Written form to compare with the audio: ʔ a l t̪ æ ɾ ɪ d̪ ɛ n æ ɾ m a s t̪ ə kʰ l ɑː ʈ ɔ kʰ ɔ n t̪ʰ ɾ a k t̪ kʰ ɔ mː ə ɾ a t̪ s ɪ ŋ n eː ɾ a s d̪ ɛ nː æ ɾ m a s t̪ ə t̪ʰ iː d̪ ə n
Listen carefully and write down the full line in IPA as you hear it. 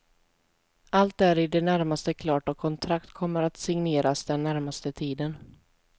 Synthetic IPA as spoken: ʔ a l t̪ æ ɾ ɪ d̪ ɛ n æ ɾ m a s t̪ ə kʰ l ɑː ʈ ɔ kʰ ɔ n t̪ʰ ɾ a k t̪ kʰ ɔ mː ə ɾ a t̪ s ɪ ŋ n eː ɾ a s d̪ ɛ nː æ ɾ m a s t̪ ə t̪ʰ iː d̪ ə n